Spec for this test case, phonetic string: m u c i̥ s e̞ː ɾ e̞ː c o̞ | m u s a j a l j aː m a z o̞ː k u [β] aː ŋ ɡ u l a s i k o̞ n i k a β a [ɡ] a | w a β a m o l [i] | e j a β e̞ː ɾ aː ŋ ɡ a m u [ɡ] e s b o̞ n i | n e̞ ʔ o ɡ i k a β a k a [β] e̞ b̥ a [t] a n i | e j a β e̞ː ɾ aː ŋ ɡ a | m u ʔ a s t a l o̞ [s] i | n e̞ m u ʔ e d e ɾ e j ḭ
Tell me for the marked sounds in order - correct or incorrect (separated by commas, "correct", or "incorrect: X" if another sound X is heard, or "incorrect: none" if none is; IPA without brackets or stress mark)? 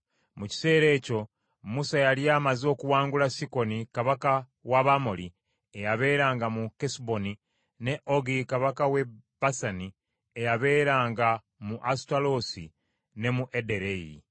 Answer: incorrect: w, incorrect: k, correct, incorrect: k, incorrect: w, incorrect: s, correct